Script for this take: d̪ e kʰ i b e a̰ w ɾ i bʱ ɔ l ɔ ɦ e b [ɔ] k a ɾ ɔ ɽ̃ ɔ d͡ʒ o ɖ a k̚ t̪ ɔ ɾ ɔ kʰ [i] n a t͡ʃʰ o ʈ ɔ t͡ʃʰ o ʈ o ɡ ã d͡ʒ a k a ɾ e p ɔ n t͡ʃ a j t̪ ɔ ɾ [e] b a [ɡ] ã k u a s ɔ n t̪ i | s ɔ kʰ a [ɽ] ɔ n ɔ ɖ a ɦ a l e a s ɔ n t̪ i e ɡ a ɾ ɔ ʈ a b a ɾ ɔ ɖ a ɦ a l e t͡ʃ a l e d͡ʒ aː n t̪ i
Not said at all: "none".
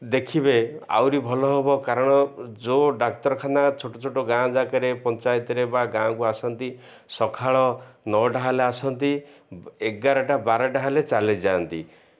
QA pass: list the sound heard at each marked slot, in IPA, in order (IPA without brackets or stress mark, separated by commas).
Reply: ɔ, a, e, ɡ, ɭ